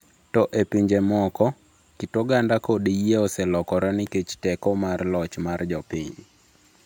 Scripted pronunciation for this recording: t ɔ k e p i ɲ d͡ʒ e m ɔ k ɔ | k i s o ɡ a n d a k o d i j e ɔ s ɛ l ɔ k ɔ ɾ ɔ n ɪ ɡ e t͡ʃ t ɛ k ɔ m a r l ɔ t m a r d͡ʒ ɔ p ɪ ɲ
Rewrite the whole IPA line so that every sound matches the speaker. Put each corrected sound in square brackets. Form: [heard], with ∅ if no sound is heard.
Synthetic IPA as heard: t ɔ [ʔ] e p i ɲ d͡ʒ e m ɔ k ɔ | k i [t] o ɡ a n d a k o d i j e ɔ s ɛ l ɔ k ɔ ɾ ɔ n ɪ [k] e t͡ʃ t ɛ k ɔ m a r l ɔ [t͡ʃ] m a r d͡ʒ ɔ p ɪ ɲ